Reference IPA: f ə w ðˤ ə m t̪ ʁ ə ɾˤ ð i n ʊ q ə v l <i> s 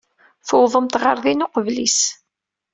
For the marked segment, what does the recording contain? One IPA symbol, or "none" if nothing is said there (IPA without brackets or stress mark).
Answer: i